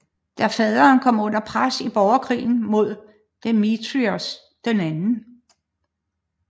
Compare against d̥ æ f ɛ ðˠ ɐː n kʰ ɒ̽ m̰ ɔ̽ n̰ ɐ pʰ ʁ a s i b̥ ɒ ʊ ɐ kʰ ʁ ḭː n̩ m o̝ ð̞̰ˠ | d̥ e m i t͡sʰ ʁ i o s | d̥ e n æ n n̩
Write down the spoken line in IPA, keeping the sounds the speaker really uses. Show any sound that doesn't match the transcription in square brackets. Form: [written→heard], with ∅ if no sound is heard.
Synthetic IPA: d̥ æ f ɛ ðˠ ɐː n kʰ ɒ̽ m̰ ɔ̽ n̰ ɐ pʰ ʁ a s i b̥ ɒ ʊ ɐ kʰ ʁ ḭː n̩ m o̝ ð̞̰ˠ | d̥ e m i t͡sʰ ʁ i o s | d̥ e n æ n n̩